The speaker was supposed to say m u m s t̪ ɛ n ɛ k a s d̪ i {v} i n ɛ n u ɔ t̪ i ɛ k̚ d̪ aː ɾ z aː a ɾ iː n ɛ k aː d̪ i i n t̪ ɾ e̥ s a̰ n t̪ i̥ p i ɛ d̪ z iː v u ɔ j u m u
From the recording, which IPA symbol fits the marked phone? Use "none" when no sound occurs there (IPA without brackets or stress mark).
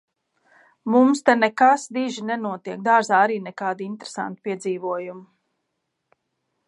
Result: ʒ